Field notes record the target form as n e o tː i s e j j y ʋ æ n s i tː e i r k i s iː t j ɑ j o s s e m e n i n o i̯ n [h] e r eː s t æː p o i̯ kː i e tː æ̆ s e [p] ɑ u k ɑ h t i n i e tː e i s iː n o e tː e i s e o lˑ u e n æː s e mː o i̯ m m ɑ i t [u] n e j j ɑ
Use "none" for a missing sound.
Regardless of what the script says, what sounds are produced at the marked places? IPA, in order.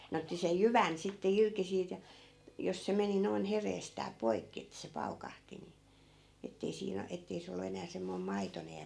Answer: h, p, o

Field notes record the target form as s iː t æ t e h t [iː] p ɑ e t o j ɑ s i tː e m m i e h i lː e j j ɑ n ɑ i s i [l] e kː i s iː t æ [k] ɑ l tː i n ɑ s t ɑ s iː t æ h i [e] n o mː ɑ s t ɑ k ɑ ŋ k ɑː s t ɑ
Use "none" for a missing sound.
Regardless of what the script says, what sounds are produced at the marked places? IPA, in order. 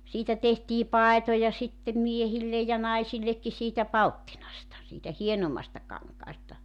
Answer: iː, lː, p, e

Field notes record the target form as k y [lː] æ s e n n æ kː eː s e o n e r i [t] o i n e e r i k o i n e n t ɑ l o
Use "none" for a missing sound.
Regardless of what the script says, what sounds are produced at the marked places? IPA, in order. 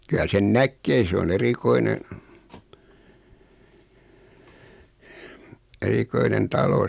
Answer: l, k

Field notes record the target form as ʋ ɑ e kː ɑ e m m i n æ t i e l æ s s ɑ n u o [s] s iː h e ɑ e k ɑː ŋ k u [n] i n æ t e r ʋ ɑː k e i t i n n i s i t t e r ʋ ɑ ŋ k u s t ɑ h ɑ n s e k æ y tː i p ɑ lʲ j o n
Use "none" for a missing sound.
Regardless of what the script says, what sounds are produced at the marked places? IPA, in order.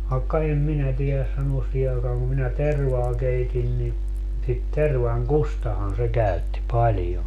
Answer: s, m

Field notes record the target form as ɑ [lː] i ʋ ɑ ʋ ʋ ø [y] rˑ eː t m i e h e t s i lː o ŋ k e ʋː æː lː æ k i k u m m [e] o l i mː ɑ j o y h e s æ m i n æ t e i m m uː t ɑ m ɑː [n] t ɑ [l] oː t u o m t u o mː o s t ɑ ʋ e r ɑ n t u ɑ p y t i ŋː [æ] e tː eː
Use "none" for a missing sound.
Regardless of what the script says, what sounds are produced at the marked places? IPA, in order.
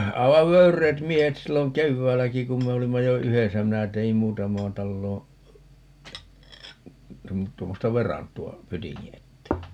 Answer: none, y, e, n, lː, i

